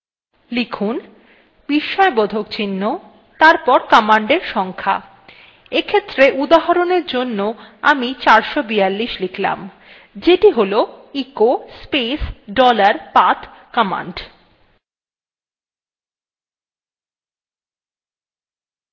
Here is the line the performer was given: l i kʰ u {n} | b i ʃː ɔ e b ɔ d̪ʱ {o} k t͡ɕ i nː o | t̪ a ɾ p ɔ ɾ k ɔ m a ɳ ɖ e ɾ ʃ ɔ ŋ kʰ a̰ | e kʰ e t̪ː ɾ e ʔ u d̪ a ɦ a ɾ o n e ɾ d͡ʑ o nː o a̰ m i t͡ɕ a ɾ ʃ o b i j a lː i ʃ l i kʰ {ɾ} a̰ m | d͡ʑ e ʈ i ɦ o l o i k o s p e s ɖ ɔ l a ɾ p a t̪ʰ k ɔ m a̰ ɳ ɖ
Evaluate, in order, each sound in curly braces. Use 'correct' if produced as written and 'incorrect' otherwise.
correct, correct, incorrect

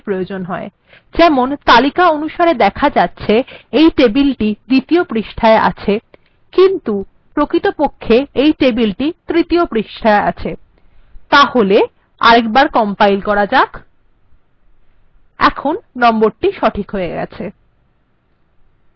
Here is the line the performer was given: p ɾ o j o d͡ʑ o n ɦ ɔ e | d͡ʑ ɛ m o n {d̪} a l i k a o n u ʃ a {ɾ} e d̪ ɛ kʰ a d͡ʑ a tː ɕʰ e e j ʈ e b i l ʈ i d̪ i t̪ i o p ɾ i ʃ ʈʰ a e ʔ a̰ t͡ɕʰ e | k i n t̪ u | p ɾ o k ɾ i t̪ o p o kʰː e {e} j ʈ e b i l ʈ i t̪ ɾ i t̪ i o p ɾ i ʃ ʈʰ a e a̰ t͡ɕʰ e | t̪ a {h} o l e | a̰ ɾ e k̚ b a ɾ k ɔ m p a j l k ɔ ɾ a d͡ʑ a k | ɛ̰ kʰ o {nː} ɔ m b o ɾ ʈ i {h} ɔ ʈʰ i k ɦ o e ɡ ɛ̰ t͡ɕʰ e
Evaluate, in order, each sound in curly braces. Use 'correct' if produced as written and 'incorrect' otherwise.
incorrect, correct, correct, correct, correct, incorrect

